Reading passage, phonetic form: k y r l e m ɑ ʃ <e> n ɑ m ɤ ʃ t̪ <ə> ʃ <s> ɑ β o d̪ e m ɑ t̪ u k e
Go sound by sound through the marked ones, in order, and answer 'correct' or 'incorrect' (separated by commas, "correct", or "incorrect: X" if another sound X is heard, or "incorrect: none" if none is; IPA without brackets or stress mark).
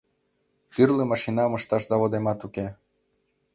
incorrect: i, incorrect: ɑ, incorrect: z